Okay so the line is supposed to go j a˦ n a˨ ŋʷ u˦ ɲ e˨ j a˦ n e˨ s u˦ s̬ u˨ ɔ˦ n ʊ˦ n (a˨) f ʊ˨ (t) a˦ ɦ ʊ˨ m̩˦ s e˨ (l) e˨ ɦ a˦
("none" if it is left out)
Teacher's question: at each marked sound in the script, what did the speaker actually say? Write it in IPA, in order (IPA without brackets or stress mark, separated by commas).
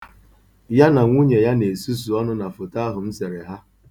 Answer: a˨, t, ɾ